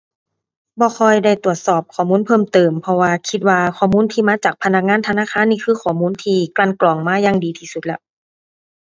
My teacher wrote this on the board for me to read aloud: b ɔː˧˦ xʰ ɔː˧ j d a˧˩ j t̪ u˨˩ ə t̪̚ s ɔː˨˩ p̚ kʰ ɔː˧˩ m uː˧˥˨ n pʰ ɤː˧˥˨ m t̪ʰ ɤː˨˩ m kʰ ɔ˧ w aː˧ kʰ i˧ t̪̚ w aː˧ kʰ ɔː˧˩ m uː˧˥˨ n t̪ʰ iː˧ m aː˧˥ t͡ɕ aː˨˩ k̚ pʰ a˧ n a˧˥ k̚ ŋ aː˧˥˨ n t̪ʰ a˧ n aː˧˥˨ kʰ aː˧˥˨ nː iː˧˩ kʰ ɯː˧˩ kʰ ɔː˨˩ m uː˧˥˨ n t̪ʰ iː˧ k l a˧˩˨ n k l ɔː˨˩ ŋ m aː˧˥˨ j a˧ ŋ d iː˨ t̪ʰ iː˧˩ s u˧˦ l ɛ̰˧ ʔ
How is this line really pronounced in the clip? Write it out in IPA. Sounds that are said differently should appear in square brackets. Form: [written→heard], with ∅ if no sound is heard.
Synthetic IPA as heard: b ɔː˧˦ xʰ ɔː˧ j d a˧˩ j t̪ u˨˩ ə t̪̚ s ɔː˨˩ p̚ kʰ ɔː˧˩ m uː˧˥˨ n pʰ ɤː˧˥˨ m [t̪ʰ→t̪] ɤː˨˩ m [kʰ→pʰ] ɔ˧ w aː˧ kʰ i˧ t̪̚ w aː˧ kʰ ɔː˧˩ m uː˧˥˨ n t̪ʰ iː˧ m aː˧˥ t͡ɕ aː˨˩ k̚ pʰ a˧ n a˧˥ k̚ ŋ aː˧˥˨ n t̪ʰ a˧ n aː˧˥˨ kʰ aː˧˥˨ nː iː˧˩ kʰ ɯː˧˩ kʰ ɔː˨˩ m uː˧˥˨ n t̪ʰ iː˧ k l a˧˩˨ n k l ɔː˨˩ ŋ m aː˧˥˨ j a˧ ŋ d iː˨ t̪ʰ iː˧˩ s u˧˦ l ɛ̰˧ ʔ